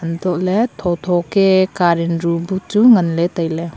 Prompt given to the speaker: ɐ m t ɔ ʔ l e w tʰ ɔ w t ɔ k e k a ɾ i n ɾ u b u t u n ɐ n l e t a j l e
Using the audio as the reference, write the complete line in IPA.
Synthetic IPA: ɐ n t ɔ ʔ l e tʰ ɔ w tʰ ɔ k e k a ɾ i n ɾ u b u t u ŋ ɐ n l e t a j l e